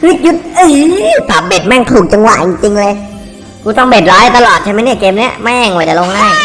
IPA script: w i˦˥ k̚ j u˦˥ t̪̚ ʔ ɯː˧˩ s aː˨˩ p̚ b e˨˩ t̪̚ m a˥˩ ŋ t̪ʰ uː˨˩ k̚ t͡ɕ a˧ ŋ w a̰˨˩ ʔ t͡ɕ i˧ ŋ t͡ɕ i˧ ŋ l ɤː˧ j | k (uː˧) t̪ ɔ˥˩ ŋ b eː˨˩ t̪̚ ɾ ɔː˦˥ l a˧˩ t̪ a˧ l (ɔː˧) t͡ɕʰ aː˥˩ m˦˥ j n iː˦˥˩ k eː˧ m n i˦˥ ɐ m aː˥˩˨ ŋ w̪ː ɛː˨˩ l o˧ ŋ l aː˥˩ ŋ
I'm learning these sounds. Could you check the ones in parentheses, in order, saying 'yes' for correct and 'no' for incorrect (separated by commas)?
yes, no